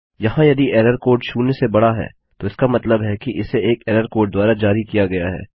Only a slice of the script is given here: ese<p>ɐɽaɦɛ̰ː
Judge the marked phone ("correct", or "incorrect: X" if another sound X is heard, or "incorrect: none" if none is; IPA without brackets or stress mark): incorrect: b